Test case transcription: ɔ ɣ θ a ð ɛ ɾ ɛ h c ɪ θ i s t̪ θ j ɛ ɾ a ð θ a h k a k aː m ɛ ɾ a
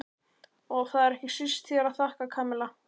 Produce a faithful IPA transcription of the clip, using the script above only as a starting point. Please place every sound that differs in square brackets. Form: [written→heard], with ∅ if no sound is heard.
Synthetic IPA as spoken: ɔ ɣ θ a ð ɛ ɾ ɛ h c ɪ [θ→s] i s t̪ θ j ɛ ɾ a ð θ a h k a [k→kʰ] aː m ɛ [ɾ→l] a